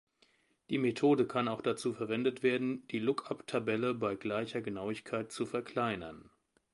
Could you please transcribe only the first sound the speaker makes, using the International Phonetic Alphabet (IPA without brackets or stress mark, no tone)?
d̥